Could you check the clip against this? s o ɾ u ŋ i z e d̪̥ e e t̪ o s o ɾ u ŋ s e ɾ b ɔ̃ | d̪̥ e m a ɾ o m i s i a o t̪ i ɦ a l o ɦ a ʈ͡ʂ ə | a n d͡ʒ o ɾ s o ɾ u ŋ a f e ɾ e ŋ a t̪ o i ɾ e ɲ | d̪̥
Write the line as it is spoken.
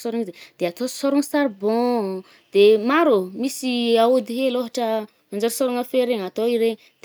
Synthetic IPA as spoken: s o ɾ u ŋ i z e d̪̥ e a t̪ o s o ɾ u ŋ s a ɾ b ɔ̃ | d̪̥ e m a ɾ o m i s i a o d̪ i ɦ e l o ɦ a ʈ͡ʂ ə | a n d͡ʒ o ɾ s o ɾ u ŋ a f e ɾ e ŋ a t̪ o i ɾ e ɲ | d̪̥